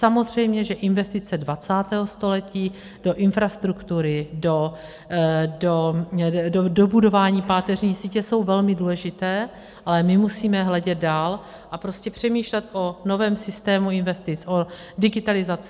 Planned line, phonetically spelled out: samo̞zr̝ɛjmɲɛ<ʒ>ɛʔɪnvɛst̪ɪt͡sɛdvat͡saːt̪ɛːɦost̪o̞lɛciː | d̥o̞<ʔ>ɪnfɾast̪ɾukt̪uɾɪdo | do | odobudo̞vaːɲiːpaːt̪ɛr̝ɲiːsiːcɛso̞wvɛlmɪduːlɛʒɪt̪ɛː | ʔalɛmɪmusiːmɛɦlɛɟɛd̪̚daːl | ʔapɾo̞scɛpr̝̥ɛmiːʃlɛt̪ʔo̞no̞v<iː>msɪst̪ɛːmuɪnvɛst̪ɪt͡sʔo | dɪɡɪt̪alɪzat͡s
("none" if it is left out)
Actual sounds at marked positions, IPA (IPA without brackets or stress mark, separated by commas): ʒ, ʔ, ɛː